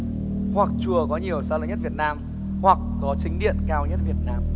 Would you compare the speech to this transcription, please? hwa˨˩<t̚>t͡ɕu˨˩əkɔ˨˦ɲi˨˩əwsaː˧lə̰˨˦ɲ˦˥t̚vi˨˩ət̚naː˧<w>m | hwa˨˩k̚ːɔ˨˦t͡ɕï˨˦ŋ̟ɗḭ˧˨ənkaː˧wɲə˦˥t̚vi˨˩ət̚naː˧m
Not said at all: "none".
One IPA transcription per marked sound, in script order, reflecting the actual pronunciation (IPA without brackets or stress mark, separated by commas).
k̚, none